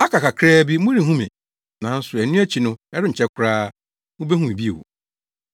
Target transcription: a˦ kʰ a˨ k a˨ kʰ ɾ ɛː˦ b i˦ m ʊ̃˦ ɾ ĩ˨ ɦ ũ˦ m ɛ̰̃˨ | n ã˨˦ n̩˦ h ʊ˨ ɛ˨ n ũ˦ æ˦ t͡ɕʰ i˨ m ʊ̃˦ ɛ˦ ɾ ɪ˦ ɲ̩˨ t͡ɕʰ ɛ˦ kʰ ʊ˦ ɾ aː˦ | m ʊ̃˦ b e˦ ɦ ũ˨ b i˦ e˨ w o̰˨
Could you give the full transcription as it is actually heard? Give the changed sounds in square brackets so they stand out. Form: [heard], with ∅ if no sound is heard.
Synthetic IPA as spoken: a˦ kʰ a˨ k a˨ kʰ ɾ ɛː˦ b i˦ m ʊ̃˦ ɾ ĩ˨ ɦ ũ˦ m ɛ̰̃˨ | n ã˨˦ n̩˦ [s] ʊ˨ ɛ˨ n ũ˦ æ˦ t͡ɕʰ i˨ [n] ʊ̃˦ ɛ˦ ɾ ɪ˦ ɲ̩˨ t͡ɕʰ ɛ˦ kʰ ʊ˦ ɾ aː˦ | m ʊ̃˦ b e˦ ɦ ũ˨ b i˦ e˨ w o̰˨